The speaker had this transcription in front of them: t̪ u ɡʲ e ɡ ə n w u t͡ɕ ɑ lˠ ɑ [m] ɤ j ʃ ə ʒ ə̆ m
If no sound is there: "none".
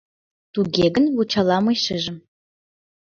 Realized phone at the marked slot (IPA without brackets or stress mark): m